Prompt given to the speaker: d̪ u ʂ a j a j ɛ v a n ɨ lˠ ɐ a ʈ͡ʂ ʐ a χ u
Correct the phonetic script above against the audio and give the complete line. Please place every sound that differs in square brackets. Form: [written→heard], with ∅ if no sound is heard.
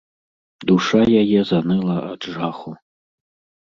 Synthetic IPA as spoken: d̪ u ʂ a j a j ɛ [v→z] a n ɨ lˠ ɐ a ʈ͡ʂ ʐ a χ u

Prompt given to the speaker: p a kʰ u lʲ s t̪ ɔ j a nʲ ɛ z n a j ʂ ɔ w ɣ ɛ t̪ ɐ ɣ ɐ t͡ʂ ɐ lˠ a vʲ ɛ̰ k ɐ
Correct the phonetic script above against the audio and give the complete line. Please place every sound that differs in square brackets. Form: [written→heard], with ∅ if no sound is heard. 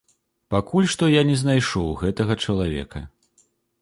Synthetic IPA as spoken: p a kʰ u lʲ [s→ʂ] t̪ ɔ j a nʲ ɛ z n a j ʂ ɔ w ɣ ɛ t̪ ɐ ɣ ɐ t͡ʂ ɐ lˠ a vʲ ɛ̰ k ɐ

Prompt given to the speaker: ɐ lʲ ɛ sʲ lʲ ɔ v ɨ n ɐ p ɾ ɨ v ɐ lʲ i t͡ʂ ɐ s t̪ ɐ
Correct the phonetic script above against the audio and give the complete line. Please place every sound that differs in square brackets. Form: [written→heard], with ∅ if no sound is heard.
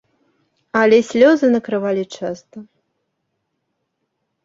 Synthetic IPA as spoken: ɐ lʲ ɛ sʲ lʲ ɔ [v→z] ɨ n ɐ [p→k] ɾ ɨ v [ɐ→a] lʲ i t͡ʂ [ɐ→a] s t̪ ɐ

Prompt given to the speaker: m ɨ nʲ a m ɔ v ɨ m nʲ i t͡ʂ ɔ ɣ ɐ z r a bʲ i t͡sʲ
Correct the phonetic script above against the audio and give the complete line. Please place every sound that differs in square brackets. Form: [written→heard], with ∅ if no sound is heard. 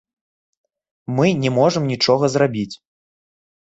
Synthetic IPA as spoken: m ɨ nʲ [a→ɛ] m ɔ [v→ʐ] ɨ m nʲ i t͡ʂ ɔ ɣ ɐ z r a bʲ i t͡sʲ

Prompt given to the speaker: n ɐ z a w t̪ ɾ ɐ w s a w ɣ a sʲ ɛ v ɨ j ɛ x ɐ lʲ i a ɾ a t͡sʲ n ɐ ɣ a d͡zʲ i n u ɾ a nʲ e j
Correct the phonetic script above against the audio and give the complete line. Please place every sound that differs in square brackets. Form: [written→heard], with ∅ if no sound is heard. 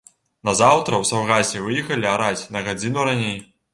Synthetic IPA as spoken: n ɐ z a w t̪ ɾ ɐ w s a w ɣ a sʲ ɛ v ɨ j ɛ x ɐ lʲ i a ɾ a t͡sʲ n ɐ ɣ a d͡zʲ i n u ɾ a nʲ e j

